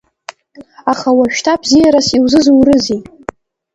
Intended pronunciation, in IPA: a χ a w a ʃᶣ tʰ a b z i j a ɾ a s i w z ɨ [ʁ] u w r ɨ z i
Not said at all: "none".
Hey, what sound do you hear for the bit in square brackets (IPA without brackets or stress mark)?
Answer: z